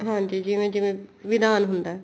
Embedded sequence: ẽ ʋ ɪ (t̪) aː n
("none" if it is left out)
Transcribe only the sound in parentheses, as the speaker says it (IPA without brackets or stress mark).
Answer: d̪